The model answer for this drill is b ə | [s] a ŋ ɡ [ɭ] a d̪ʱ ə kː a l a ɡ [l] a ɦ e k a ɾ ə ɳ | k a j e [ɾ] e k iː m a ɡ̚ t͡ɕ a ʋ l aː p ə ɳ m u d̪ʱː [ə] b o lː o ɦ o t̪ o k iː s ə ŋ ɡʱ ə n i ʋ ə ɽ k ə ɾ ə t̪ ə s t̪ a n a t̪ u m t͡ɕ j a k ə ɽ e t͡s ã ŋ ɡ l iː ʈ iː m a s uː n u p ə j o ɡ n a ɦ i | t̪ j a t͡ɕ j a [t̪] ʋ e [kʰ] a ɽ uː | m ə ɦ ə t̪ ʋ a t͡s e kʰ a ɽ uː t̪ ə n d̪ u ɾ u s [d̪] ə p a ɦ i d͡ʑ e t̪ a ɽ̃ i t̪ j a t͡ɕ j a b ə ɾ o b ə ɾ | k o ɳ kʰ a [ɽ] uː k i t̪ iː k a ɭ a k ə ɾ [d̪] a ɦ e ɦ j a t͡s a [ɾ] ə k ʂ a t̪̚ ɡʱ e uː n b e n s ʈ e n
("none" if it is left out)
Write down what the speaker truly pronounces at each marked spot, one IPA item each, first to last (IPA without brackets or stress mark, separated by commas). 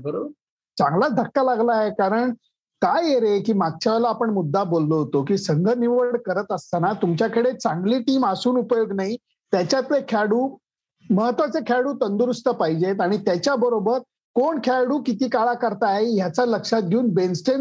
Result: t͡s, l, l, ɾ, a, t̪, kʰ, t̪, ɽ, t̪, l